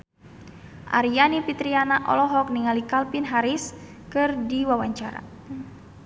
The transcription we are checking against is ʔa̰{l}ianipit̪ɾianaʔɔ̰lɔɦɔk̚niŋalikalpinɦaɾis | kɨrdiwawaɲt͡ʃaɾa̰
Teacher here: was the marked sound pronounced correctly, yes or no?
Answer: no